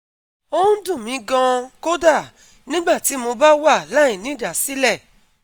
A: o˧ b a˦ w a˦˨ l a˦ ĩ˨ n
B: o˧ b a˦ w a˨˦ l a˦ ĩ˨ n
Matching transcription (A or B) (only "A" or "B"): A